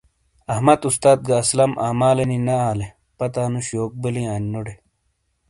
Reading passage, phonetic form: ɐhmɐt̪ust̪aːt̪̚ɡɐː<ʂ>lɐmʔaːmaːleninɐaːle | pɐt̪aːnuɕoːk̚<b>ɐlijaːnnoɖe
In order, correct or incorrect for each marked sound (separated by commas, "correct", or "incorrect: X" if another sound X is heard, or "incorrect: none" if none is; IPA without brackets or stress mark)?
incorrect: s, correct